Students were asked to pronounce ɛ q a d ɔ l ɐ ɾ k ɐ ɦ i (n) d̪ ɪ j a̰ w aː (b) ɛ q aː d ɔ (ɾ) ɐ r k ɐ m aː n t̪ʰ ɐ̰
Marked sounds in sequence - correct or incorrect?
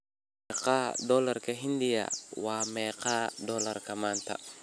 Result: correct, incorrect: m, incorrect: l

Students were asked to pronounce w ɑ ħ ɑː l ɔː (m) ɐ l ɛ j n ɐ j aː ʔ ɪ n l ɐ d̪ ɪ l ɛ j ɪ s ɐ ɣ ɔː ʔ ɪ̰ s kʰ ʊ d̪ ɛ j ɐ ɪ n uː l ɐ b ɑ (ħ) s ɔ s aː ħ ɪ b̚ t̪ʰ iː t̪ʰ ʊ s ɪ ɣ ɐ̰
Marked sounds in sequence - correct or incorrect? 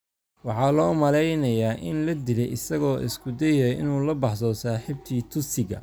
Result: correct, correct

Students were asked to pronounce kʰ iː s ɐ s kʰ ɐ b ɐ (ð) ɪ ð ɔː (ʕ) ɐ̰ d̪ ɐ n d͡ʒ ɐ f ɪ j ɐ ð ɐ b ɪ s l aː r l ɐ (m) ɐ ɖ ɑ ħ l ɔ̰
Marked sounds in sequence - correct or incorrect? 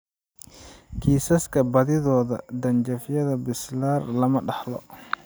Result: correct, incorrect: ð, correct

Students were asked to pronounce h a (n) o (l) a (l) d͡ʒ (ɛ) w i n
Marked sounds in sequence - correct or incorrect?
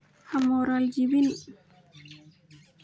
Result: incorrect: m, incorrect: ɾ, correct, incorrect: i

